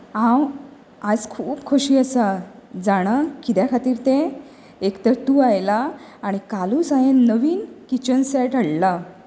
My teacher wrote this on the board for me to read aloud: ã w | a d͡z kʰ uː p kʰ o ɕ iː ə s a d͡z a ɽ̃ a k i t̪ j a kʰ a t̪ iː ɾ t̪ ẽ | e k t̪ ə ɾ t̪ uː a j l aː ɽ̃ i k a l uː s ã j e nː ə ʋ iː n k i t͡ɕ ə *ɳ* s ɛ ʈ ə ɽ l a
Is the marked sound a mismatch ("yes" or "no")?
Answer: yes